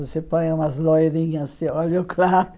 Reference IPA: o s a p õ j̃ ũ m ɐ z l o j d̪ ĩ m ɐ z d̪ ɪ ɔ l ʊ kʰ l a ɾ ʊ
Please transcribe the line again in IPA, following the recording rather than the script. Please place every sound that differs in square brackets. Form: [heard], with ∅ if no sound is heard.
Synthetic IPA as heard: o s [e] p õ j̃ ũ m ɐ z l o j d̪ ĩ [ɲ] ɐ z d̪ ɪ ɔ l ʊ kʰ l a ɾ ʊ